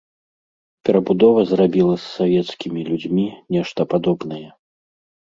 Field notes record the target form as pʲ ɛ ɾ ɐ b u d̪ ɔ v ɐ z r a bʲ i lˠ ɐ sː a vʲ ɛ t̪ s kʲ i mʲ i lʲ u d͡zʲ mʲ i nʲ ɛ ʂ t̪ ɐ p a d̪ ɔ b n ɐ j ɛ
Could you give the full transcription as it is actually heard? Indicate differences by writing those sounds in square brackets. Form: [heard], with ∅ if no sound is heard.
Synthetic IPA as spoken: pʲ ɛ ɾ ɐ b u d̪ ɔ v ɐ z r a bʲ i lˠ ɐ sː a vʲ ɛ t̪ s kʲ i mʲ i lʲ u d͡zʲ mʲ i nʲ ɛ ʂ t̪ ɐ p a d̪ ɔ b n ɐ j ɛ

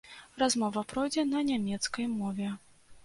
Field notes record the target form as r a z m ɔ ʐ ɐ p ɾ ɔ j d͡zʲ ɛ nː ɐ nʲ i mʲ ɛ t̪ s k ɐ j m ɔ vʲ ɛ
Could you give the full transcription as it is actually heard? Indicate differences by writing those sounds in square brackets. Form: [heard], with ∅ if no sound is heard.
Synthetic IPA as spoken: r a z m ɔ [v] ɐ p ɾ ɔ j d͡zʲ ɛ [n] ɐ nʲ [a] mʲ ɛ t̪ s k ɐ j m ɔ vʲ ɛ

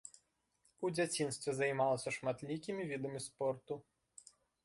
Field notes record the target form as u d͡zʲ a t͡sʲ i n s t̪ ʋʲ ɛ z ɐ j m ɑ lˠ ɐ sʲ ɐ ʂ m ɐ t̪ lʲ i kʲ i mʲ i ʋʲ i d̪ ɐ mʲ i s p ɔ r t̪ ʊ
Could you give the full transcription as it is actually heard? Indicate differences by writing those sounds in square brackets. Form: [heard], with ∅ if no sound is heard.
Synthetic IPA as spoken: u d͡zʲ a t͡sʲ i n s t̪ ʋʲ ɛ z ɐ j m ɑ lˠ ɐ sʲ ɐ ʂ m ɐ t̪ lʲ i kʲ i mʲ i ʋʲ i d̪ ɐ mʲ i s p ɔ r t̪ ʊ

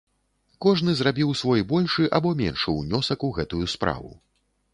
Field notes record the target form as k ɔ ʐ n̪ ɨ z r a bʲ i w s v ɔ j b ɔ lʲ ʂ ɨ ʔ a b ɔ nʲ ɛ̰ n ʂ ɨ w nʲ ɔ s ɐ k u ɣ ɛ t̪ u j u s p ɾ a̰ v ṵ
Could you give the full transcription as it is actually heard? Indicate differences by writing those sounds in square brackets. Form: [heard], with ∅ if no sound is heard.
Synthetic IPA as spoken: k ɔ ʐ n̪ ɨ z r a bʲ i w s v ɔ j b ɔ lʲ ʂ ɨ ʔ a b ɔ [mʲ] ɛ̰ n ʂ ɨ w nʲ ɔ s ɐ k u ɣ ɛ t̪ u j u s p ɾ a̰ v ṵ

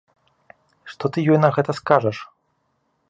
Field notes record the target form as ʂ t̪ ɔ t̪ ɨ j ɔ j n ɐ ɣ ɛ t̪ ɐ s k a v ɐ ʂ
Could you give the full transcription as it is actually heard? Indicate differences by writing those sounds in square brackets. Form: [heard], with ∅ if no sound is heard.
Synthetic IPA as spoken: ʂ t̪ ɔ t̪ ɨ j ɔ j n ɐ ɣ ɛ t̪ ɐ s k a [ʐ] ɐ ʂ

